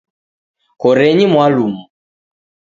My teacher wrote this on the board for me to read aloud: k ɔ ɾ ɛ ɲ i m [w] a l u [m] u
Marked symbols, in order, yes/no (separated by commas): yes, yes